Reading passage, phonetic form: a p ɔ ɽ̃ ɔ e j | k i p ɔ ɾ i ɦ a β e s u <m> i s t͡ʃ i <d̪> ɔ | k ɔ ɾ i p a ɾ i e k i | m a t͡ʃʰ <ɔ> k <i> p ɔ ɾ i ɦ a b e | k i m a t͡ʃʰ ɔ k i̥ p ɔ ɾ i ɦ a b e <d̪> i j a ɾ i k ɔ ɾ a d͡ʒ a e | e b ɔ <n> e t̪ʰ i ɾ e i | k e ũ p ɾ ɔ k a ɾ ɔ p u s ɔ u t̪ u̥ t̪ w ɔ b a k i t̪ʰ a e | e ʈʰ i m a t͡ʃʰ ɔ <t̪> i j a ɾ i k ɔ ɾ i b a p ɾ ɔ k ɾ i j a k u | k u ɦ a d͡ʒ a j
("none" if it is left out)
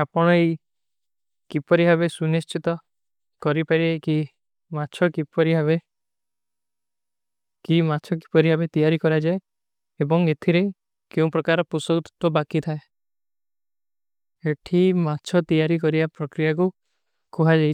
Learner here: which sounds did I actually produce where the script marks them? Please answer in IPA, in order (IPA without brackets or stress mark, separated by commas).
n, t̪, ɔ, i, t̪, ŋ, t̪